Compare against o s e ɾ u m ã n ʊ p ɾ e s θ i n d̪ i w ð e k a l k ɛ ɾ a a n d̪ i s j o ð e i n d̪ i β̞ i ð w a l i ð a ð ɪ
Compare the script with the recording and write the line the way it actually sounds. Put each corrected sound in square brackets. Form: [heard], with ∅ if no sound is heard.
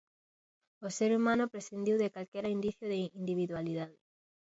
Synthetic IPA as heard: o s e ɾ u m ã n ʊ p ɾ e s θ i n d̪ i w ð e k a l k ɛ ɾ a [i] n d̪ i [θ] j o ð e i n d̪ i β̞ i ð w a l i ð a ð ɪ